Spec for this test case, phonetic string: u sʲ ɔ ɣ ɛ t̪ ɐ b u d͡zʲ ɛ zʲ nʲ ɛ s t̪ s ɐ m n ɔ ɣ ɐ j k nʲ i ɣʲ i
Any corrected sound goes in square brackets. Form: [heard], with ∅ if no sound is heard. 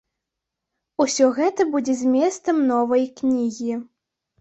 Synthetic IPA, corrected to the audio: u sʲ ɔ ɣ ɛ t̪ ɐ b u d͡zʲ ɛ zʲ [mʲ] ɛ s t̪ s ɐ m n ɔ [v] ɐ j k nʲ i ɣʲ i